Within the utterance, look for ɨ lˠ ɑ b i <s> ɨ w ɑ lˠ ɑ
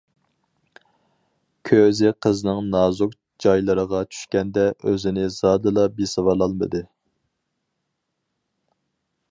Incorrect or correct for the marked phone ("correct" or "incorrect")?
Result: correct